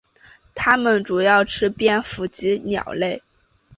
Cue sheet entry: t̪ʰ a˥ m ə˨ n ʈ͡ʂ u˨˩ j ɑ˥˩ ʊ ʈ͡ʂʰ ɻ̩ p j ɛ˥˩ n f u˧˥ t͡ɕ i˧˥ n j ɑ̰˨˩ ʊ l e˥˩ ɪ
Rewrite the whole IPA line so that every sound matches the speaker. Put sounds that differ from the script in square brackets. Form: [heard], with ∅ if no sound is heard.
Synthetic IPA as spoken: t̪ʰ a˥ m ə˨ n ʈ͡ʂ u˨˩ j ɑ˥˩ ʊ ʈ͡ʂʰ ɻ̩ p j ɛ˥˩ n f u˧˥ t͡ɕ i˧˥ n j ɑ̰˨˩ ʊ l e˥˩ ɪ